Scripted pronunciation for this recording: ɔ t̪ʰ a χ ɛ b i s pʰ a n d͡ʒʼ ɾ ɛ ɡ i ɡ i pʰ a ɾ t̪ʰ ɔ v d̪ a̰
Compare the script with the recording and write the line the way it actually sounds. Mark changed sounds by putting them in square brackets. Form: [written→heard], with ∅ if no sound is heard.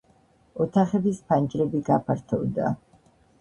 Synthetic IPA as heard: ɔ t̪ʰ a χ ɛ b i s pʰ a n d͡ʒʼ ɾ ɛ [ɡ→b] i ɡ [i→a] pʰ a ɾ t̪ʰ ɔ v d̪ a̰